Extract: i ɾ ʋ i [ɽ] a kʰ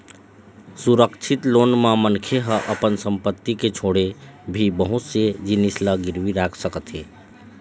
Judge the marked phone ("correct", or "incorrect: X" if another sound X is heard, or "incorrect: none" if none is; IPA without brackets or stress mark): incorrect: ɾ